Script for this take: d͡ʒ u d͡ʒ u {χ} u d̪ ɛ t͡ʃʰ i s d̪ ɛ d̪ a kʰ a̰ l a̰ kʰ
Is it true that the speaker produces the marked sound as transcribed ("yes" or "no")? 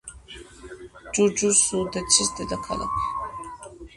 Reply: no